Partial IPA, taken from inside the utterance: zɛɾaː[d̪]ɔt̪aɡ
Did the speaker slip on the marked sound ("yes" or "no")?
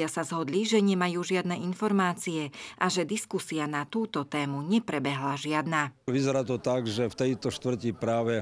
yes